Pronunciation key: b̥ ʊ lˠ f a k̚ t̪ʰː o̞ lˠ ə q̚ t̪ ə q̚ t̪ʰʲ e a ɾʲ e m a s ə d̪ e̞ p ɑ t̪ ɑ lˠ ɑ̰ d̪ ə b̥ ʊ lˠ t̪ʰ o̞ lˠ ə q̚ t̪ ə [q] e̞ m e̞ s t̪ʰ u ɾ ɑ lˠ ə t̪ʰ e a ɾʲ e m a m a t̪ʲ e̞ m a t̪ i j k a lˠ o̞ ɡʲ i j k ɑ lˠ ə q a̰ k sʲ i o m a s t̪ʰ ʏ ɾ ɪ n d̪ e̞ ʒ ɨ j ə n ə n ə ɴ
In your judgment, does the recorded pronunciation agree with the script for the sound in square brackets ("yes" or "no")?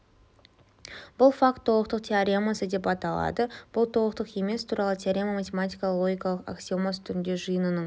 yes